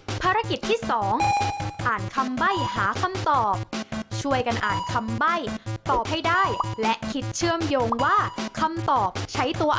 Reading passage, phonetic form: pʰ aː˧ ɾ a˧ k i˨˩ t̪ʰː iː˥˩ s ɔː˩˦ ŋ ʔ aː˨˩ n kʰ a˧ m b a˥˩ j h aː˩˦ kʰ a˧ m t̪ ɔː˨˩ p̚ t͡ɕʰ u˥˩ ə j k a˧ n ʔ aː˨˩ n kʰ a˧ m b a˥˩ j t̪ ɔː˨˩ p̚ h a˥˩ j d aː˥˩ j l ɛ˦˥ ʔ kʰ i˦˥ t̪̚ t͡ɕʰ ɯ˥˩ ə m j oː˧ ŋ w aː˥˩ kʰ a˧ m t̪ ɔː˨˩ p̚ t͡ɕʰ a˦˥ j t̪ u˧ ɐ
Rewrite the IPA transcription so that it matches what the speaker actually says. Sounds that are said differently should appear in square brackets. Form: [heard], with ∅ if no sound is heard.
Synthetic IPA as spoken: pʰ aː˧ ɾ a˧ k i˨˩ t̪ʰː iː˥˩ s ɔː˩˦ ŋ ʔ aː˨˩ n kʰ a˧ m b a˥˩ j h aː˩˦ kʰ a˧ m t̪ ɔː˨˩ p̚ t͡ɕʰ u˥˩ ə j k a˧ n ʔ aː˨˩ n kʰ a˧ m b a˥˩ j t̪ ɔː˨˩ p̚ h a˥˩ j d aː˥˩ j l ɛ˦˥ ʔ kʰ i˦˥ t̪̚ t͡ɕʰ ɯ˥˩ ə m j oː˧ ŋ w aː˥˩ kʰ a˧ m t̪ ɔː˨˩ p̚ t͡ɕʰ a˦˥ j t̪ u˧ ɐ